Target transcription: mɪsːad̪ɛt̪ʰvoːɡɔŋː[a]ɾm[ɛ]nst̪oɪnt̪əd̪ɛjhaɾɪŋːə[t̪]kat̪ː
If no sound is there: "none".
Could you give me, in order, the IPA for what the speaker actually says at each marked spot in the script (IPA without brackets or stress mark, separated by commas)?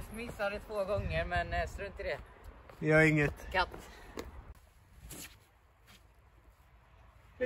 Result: ə, ɛ, t̪